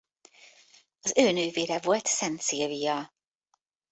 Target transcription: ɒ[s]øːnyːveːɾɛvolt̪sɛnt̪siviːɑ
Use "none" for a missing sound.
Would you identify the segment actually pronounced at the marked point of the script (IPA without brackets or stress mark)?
z